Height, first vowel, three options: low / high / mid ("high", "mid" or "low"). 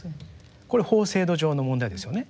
mid